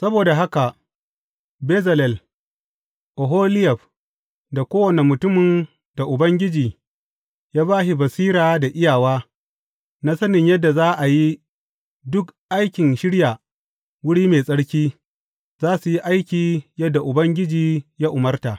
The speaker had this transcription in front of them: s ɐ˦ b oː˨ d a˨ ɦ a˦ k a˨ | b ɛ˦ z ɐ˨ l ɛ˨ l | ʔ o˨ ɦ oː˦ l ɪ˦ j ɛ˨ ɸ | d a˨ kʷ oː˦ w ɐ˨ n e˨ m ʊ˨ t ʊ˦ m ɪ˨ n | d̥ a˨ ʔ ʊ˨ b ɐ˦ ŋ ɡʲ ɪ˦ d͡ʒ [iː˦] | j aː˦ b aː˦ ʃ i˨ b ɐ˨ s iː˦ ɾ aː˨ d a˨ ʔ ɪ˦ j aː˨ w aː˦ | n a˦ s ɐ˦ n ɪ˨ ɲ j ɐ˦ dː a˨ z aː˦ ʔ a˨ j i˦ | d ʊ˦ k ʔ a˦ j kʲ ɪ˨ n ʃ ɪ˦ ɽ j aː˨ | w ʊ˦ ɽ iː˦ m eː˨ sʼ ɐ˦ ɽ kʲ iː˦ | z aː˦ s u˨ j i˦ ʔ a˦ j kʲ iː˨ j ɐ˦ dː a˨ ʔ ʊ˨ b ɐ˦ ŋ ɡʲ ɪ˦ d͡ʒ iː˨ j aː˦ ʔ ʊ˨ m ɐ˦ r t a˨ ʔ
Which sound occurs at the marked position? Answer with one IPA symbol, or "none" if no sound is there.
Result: iː˨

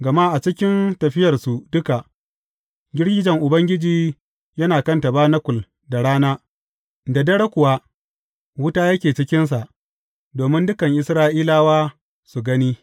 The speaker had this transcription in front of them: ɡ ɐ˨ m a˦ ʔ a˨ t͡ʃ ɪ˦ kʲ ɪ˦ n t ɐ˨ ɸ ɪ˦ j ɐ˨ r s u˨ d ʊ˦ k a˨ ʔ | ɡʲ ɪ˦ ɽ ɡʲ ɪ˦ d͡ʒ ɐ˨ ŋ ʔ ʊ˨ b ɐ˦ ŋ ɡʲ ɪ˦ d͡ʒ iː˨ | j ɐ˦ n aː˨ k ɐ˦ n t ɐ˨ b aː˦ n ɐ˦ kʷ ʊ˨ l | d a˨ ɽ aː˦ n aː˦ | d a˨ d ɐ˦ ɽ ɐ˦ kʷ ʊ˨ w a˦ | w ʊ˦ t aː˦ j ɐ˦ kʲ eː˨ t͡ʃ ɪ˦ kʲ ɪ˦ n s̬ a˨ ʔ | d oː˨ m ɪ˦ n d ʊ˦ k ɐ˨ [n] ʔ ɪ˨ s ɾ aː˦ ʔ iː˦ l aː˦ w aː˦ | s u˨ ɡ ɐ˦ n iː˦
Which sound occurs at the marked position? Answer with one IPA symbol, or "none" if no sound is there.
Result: ŋ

